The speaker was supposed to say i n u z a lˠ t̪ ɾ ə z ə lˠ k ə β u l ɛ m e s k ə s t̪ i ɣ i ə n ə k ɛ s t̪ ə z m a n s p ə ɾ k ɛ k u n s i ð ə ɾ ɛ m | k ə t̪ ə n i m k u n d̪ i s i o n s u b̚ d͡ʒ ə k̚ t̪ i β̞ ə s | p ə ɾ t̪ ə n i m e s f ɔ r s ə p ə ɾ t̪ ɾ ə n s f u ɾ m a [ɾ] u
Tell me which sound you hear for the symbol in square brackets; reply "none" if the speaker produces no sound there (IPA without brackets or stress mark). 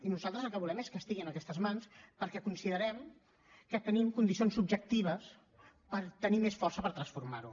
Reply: ɾ